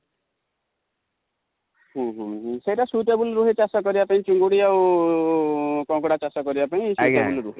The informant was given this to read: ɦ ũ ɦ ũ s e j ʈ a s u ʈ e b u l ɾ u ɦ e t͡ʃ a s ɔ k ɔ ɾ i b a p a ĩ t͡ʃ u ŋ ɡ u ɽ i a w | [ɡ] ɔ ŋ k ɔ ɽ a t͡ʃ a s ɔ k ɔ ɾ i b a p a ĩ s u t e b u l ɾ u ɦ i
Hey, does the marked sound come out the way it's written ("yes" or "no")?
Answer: no